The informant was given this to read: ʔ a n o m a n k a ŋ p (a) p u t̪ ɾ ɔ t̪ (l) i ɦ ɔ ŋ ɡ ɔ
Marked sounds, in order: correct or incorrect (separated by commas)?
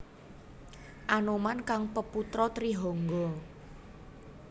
incorrect, incorrect